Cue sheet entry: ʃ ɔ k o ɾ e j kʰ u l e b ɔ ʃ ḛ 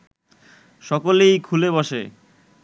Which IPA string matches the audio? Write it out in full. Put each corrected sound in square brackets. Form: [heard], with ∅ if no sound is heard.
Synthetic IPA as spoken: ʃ ɔ k o [l] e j kʰ u l e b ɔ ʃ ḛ